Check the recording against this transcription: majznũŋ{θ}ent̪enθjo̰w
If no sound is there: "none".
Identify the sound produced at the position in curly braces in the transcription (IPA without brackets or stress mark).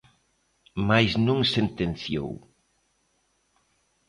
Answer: s